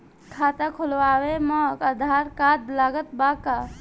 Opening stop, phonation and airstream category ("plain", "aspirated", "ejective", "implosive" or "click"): aspirated